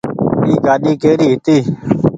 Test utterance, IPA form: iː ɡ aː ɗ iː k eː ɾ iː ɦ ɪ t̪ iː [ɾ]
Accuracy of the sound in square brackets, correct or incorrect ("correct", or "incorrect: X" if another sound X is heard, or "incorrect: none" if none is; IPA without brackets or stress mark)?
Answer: incorrect: none